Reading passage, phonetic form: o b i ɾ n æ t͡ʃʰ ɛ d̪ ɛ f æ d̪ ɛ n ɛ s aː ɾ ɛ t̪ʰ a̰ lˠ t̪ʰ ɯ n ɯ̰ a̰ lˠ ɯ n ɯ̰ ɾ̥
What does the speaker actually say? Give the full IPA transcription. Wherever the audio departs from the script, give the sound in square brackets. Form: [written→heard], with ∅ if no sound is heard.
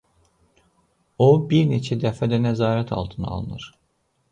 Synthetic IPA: o b i ɾ n [æ→e] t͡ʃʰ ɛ d̪ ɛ f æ d̪ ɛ n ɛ [s→z] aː ɾ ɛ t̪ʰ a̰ lˠ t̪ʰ ɯ n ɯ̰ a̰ lˠ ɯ n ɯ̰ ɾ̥